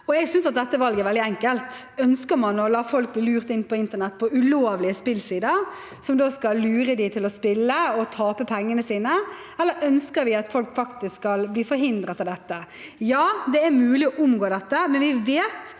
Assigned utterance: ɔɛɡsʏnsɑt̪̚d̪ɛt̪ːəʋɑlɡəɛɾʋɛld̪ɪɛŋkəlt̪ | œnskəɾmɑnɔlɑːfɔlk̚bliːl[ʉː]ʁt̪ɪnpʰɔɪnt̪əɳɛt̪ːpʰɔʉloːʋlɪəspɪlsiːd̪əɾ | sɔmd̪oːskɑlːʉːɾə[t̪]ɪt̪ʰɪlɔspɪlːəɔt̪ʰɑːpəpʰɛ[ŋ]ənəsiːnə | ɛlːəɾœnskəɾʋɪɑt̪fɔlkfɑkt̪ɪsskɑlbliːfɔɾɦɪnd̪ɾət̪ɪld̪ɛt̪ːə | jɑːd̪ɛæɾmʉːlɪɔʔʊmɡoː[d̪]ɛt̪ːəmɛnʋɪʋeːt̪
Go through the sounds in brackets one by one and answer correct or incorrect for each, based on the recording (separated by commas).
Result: correct, incorrect, incorrect, correct